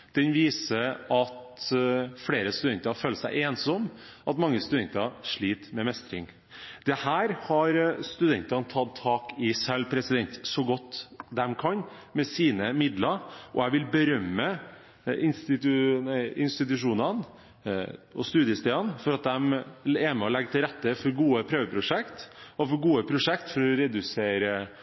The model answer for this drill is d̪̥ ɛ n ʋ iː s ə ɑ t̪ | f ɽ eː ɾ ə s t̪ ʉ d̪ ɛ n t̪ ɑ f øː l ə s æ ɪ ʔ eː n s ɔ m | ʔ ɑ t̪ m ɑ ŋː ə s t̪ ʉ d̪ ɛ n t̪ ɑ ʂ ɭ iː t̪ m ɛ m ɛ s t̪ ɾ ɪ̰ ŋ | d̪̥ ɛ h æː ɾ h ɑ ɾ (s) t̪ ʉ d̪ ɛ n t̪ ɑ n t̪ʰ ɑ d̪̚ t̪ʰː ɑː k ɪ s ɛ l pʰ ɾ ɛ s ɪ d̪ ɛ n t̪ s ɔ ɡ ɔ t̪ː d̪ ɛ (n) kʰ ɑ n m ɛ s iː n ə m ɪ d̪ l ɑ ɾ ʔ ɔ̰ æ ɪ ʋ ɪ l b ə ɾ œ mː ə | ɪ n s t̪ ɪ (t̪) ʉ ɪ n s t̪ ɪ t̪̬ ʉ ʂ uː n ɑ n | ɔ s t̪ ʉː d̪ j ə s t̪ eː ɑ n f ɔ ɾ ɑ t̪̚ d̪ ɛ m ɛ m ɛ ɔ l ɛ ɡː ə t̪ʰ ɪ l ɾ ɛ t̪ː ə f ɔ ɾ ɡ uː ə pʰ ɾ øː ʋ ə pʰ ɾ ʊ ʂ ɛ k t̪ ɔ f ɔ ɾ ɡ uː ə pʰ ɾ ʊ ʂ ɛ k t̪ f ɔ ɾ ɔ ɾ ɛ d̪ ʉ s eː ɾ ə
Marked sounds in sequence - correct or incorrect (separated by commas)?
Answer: correct, incorrect, correct